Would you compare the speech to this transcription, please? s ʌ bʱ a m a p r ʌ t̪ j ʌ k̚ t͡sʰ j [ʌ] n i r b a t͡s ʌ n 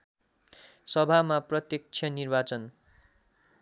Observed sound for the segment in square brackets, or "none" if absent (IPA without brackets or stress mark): ʌ